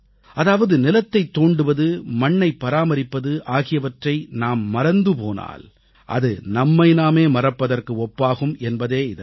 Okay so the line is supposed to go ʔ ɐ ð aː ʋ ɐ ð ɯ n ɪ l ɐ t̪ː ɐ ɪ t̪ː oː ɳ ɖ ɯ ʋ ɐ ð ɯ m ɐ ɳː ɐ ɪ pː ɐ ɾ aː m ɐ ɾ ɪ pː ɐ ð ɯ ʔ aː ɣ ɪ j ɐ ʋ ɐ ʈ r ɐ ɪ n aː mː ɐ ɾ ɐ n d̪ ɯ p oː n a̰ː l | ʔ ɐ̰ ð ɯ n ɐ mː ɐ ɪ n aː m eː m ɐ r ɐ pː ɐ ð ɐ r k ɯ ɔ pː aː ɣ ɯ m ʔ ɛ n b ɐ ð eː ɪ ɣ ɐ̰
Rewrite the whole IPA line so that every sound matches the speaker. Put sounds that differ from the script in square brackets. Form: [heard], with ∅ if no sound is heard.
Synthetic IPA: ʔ ɐ ð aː ʋ ɐ ð ɯ n ɪ l ɐ t̪ː ɐ ɪ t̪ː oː ɳ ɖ ɯ ʋ ɐ ð ɯ m ɐ ɳː ɐ ɪ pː ɐ ɾ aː m ɐ ɾ ɪ pː ɐ ð ɯ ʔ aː ɣ ɪ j ɐ ʋ ɐ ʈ r ɐ ɪ n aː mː ɐ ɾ ɐ n d̪ ɯ p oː n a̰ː l | ʔ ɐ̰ ð ɯ n ɐ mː ɐ ɪ n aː m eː m ɐ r ɐ pː ɐ ð ɐ r k ɯ ɔ pː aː ɣ ɯ m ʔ ɛ n b ɐ ð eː ɪ [ð] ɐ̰